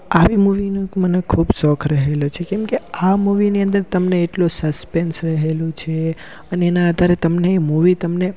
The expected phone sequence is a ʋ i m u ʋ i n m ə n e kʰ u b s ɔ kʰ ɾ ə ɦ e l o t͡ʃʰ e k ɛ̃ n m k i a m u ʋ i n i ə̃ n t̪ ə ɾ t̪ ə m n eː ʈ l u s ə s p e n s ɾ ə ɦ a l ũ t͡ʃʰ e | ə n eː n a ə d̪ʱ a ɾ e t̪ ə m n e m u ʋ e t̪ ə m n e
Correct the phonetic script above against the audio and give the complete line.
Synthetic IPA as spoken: a ʋ i m u ʋ i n m ə n e kʰ u b s ɔ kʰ ɾ ə ɦ e l o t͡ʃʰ e k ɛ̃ m k e a m u ʋ i n i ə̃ n d̪ ə ɾ t̪ ə m n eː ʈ l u s ə s p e n s ɾ ə ɦ e l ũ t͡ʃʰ e | ə n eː n a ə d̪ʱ a ɾ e t̪ ə m n e m u ʋ i t̪ ə m n e